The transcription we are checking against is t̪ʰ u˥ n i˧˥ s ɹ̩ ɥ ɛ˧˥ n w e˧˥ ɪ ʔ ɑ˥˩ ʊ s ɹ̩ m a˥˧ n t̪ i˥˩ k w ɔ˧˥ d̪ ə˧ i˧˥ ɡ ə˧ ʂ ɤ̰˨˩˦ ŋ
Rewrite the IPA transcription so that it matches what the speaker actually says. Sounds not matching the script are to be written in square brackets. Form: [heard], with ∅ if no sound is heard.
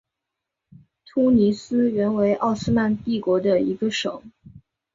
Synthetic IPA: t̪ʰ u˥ n i˧˥ s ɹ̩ ɥ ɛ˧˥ n w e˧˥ ɪ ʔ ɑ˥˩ ʊ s ɹ̩ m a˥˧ n t̪ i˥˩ k w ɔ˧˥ d̪ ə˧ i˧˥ ɡ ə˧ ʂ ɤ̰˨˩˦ ŋ